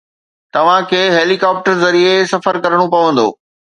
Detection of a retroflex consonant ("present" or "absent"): present